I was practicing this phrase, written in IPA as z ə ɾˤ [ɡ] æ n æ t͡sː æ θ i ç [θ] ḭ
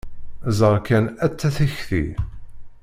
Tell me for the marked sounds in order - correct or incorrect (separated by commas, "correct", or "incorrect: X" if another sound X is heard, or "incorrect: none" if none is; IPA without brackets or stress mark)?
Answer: incorrect: k, correct